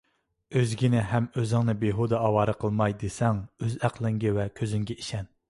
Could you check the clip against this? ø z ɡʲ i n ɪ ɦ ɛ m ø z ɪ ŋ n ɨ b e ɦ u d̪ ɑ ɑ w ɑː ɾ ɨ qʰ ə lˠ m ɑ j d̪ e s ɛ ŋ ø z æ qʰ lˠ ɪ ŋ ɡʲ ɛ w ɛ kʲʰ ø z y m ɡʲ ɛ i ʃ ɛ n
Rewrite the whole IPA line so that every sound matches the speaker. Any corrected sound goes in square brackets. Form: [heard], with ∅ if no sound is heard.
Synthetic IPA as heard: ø z ɡʲ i n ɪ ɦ ɛ m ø z ɪ ŋ n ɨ b e ɦ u d̪ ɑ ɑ w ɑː ɾ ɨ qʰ ə lˠ m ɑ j d̪ e s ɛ ŋ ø z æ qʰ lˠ ɪ ŋ ɡʲ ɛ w ɛ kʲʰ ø z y [ŋ] ɡʲ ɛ i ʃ ɛ n